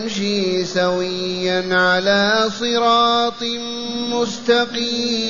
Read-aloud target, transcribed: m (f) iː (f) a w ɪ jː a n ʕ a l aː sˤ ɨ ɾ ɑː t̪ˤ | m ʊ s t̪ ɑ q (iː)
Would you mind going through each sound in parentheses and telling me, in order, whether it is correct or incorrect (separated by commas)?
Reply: incorrect, incorrect, correct